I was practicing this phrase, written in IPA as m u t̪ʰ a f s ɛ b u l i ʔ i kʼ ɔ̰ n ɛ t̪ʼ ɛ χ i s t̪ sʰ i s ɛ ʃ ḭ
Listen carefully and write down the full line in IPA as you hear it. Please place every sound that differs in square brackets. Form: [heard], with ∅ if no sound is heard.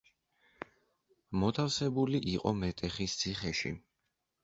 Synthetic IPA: m [ɔ] t̪ʰ a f s ɛ b u l i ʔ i [qʼ] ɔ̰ [m] ɛ t̪ʼ ɛ χ i s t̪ sʰ i [χ] ɛ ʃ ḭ